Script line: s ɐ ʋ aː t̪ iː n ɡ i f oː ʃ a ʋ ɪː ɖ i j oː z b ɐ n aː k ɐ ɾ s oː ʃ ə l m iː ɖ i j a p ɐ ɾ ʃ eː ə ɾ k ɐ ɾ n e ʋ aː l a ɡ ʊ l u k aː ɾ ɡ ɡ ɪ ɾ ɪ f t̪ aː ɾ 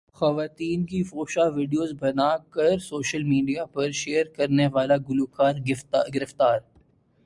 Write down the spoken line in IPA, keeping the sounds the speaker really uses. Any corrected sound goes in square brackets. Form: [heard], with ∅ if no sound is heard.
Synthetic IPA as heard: [x] ɐ ʋ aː t̪ iː n [k] i f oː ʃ a ʋ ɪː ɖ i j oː z b ɐ n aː k ɐ ɾ s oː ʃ ə l m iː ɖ i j a p ɐ ɾ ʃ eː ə ɾ k ɐ ɾ n e ʋ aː l a ɡ ʊ l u k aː ɾ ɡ ɡ ɪ ɾ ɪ f t̪ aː ɾ